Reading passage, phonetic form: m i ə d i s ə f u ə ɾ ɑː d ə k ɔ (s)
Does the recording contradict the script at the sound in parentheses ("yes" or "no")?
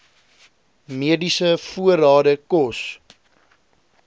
no